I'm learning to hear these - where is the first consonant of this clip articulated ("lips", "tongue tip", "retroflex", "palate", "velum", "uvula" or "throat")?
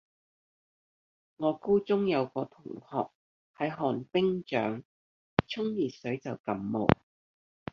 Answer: velum